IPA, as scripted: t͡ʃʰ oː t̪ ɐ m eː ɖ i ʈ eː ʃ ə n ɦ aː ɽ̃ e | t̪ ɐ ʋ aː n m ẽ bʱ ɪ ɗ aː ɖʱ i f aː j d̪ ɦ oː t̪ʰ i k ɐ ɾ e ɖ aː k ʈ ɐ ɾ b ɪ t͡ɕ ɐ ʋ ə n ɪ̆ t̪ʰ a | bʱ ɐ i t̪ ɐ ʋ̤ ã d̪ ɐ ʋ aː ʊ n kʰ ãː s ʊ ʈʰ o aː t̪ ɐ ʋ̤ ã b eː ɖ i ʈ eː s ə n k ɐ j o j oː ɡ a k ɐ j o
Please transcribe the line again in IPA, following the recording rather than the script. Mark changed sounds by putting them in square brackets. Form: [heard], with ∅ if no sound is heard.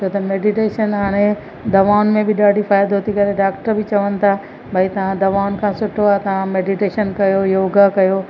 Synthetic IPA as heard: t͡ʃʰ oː t̪ ɐ m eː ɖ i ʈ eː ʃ ə n ɦ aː ɽ̃ e | [d̪] ɐ ʋ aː n m ẽ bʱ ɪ ɗ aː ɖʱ i f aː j d̪ ɦ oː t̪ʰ i k ɐ ɾ e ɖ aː k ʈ [ə] ɾ b ɪ t͡ɕ ɐ ʋ ə n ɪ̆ t̪ʰ a | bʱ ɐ i t̪ ɐ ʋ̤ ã d̪ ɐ ʋ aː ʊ n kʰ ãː s ʊ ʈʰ o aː t̪ ɐ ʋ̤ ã [m] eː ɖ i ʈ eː [ʃ] ə n k ɐ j o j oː ɡ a k ɐ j o

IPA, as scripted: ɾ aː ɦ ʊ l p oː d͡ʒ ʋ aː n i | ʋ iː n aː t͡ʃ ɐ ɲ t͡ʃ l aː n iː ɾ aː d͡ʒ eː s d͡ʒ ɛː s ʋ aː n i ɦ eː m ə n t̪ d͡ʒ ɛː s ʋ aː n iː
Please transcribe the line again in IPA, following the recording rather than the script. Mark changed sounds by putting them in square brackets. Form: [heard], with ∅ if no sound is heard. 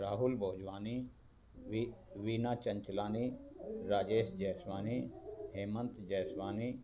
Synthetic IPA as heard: ɾ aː ɦ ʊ l [b] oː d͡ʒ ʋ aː n i | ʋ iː n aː t͡ʃ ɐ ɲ t͡ʃ l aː n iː ɾ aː d͡ʒ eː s d͡ʒ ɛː s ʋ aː n i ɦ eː m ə n t̪ d͡ʒ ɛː s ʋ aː n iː

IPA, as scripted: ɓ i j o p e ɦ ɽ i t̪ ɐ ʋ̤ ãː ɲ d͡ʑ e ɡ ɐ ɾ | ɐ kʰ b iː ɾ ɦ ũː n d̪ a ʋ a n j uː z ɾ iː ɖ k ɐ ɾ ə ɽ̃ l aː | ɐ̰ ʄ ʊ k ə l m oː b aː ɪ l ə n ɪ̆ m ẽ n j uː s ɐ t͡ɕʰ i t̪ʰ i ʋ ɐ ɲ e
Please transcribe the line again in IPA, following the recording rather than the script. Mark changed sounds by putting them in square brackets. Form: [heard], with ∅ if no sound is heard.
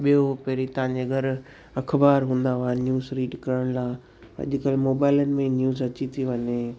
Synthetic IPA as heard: ɓ i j o p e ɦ [ɾ] i t̪ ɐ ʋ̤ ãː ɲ d͡ʑ e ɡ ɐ ɾ | ɐ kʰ b [aː] ɾ ɦ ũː n d̪ a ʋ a n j uː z ɾ iː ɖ k ɐ ɾ ə ɽ̃ l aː | ɐ̰ ʄ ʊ k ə l m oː b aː ɪ l ə n ɪ̆ m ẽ n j uː [z] ɐ [t͡ɕ] i t̪ʰ i ʋ ɐ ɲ e

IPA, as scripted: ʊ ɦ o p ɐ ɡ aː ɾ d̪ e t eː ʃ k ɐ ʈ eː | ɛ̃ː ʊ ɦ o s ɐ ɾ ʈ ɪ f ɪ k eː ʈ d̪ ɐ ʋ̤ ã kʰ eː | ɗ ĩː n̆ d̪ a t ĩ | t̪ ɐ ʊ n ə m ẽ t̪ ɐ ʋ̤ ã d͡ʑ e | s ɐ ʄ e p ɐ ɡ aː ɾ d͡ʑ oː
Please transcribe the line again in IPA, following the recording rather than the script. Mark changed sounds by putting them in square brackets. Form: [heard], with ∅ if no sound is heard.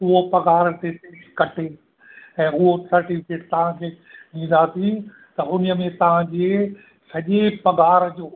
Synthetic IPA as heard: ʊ ɦ o p ɐ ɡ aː ɾ [t̪] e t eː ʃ k ɐ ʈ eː | ɛ̃ː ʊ ɦ o s ɐ ɾ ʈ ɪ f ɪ k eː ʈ [t̪] ɐ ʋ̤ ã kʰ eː | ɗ ĩː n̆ d̪ a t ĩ | t̪ ɐ ʊ n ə m ẽ t̪ ɐ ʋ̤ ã d͡ʑ e | s ɐ ʄ e p ɐ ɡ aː ɾ d͡ʑ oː

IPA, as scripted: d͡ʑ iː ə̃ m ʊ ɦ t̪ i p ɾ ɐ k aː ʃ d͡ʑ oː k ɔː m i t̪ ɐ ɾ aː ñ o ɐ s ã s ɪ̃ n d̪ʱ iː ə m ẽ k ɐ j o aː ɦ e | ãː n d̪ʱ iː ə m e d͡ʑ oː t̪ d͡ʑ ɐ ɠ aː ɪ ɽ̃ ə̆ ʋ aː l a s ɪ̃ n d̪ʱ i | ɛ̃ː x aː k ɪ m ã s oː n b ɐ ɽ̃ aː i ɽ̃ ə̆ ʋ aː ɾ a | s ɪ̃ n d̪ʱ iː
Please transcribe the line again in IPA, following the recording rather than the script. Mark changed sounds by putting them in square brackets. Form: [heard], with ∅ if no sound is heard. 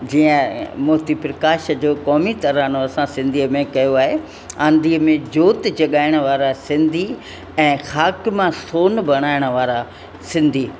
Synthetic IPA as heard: d͡ʑ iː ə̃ m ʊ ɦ t̪ i p ɾ ɐ k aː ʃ d͡ʑ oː k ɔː m i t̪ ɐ ɾ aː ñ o ɐ s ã s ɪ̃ n d̪ʱ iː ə m ẽ k ɐ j o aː ɦ e | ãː n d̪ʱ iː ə m [ẽ] d͡ʑ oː t̪ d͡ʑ ɐ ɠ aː ɪ ɽ̃ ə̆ ʋ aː [ɾ] a s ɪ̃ n d̪ʱ i | ɛ̃ː x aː k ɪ m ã s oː n b ɐ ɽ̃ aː [ɪ] ɽ̃ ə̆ ʋ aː ɾ a | s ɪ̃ n d̪ʱ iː

